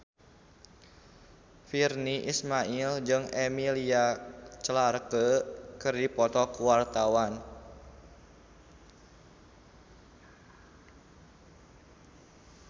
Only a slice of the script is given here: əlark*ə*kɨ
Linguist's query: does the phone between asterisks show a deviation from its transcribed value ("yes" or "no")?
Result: no